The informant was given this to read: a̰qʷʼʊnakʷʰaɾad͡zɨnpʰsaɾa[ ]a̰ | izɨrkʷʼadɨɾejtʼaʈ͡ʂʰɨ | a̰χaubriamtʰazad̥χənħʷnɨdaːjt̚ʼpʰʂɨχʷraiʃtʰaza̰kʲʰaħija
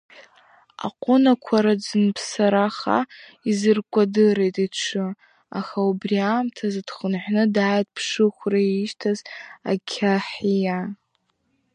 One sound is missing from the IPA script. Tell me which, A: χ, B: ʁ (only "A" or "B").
A